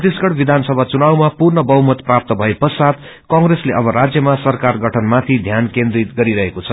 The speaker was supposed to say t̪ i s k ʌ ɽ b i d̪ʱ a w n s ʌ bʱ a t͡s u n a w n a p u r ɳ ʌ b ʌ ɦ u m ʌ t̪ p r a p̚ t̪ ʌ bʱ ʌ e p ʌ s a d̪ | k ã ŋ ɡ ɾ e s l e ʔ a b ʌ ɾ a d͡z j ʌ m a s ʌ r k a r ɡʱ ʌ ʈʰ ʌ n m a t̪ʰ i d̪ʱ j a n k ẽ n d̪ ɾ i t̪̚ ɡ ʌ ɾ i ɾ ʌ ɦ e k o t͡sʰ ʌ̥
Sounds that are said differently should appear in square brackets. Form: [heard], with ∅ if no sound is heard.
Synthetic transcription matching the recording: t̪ i s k ʌ ɽ b i d̪ʱ a [∅] n s ʌ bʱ a t͡s u n a w [m] a p u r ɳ ʌ b ʌ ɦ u m ʌ t̪ p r a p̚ t̪ ʌ bʱ ʌ e p ʌ s a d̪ | k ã ŋ ɡ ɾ e s l e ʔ [ʌ] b ʌ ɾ a d͡z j ʌ m a s ʌ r k a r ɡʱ ʌ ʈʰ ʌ n m a t̪ʰ i d̪ʱ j a n k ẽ n d̪ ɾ i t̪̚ ɡ ʌ ɾ i ɾ ʌ ɦ e k o t͡sʰ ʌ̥